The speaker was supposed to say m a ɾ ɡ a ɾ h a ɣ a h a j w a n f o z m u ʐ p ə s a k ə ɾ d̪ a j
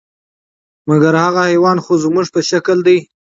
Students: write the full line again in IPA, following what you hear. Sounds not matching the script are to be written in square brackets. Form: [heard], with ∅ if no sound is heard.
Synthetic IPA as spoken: m a [∅] ɡ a ɾ h a ɣ a h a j w [ɑ] n [x] o z m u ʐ p ə [ʃ] a k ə [l] d̪ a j